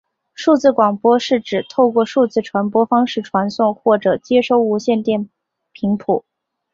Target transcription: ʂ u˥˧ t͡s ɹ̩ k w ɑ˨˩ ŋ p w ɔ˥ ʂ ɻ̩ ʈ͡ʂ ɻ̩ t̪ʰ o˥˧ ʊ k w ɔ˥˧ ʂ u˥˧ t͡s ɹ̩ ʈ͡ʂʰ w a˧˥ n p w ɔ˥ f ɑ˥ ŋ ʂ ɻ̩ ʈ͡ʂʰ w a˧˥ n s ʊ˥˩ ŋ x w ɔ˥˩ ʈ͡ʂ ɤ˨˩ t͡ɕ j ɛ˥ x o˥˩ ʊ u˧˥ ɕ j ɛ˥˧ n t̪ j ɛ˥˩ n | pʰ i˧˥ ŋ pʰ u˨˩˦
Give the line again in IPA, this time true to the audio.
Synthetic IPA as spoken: ʂ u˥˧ t͡s ɹ̩ k w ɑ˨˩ ŋ p w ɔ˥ ʂ ɻ̩ ʈ͡ʂ ɻ̩ t̪ʰ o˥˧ ʊ k w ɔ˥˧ ʂ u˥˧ t͡s ɹ̩ ʈ͡ʂʰ w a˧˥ n p w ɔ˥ f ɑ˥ ŋ ʂ ɻ̩ ʈ͡ʂʰ w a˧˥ n s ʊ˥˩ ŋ x w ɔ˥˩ ʈ͡ʂ ɤ˨˩ t͡ɕ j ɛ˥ ʂ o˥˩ ʊ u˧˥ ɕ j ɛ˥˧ n t̪ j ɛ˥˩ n | pʰ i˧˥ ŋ pʰ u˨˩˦

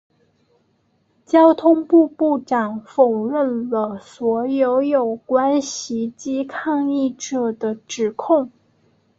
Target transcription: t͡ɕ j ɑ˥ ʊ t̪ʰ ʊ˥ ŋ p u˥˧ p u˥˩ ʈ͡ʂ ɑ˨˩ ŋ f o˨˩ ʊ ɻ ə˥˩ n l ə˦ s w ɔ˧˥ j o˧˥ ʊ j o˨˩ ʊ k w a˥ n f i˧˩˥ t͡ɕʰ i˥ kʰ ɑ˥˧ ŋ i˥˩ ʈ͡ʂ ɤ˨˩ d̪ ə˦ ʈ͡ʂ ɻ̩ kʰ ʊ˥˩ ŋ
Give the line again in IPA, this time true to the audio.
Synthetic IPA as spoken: t͡ɕ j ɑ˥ ʊ t̪ʰ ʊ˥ ŋ p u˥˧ p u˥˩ ʈ͡ʂ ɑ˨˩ ŋ f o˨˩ ʊ ɻ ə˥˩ n l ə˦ s w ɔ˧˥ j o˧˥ ʊ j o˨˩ ʊ k w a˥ n ɕ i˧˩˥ t͡ɕ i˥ kʰ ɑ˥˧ ŋ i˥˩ ʈ͡ʂ ɤ˨˩ d̪ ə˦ ʈ͡ʂ ɻ̩ kʰ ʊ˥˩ ŋ

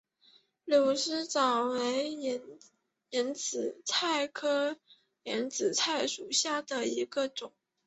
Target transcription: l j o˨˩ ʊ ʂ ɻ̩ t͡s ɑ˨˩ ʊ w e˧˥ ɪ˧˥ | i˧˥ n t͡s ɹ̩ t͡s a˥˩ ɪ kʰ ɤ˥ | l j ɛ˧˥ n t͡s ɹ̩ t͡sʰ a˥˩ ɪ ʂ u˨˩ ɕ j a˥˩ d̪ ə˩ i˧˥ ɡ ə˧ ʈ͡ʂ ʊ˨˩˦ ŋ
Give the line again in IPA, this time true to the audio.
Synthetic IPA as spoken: l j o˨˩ ʊ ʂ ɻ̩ t͡s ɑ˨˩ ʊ w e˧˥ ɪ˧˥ | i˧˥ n t͡s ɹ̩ t͡sʰ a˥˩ ɪ kʰ ɤ˥ | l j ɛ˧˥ n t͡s ɹ̩ t͡sʰ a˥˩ ɪ ʂ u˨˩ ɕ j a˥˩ d̪ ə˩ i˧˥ ɡ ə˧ ʈ͡ʂ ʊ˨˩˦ ŋ

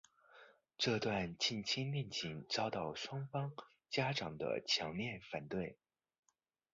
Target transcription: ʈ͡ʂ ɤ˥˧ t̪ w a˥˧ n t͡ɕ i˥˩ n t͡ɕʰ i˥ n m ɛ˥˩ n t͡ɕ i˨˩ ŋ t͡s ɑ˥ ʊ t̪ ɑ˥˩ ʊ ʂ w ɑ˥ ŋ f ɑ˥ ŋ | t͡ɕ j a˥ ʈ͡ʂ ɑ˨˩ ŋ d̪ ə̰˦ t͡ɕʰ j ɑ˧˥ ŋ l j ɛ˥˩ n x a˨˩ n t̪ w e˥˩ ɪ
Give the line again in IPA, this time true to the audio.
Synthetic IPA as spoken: ʈ͡ʂ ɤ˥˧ t̪ w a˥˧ n t͡ɕ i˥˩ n t͡ɕʰ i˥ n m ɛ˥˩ n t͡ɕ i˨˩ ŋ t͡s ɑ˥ ʊ t̪ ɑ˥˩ ʊ ʂ w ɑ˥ ŋ f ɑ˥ ŋ | t͡ɕ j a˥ ʈ͡ʂ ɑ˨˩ ŋ d̪ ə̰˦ t͡ɕʰ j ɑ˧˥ ŋ l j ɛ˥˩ n f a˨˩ n t̪ w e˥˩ ɪ

